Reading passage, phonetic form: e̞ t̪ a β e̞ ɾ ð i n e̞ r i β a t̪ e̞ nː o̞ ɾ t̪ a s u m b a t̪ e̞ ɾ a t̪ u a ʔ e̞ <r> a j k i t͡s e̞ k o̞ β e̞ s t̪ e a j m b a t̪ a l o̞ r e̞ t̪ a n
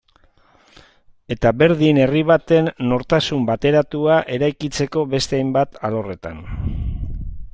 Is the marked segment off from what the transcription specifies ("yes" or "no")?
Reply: yes